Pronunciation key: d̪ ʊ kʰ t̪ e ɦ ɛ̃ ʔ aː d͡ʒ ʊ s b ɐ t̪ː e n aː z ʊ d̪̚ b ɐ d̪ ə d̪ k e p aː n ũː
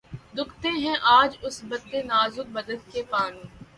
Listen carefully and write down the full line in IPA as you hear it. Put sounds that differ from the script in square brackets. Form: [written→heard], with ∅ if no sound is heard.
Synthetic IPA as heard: d̪ ʊ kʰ t̪ e ɦ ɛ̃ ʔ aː d͡ʒ ʊ s b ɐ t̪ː e n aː z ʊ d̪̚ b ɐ d̪ ə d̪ k e p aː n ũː